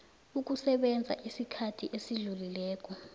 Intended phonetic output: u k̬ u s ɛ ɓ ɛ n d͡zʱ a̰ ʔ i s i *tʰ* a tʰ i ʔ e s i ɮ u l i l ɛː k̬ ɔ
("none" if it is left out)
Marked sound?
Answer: kʰ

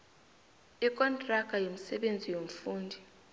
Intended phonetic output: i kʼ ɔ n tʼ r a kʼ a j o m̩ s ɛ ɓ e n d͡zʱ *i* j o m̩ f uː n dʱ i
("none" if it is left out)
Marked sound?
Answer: i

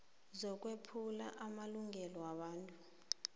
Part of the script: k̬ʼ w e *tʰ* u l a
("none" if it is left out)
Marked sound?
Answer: pʰ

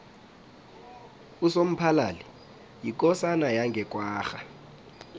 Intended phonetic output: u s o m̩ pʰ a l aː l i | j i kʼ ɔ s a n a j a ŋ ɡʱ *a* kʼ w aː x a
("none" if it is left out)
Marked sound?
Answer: ɛ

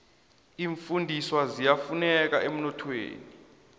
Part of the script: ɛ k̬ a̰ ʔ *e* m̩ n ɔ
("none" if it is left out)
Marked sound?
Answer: e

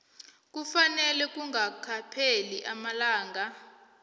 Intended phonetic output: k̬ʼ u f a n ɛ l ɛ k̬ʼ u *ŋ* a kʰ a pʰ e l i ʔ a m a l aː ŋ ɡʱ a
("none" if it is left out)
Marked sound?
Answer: ŋ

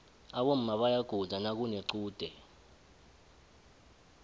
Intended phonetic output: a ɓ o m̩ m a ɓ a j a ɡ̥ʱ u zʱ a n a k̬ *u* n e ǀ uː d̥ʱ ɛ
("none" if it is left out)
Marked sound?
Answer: u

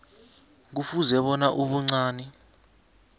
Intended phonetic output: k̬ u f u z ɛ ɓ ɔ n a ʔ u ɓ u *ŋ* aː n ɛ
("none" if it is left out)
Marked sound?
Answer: ŋ͡ǀ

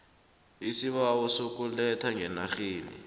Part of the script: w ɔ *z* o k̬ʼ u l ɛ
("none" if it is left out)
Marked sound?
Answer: s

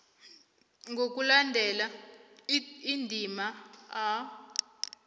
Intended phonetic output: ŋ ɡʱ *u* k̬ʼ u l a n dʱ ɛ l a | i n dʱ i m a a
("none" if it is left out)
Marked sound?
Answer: o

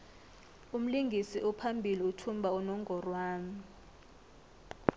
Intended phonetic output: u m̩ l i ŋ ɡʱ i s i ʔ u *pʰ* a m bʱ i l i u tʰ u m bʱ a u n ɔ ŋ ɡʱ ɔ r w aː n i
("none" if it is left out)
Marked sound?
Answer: pʰ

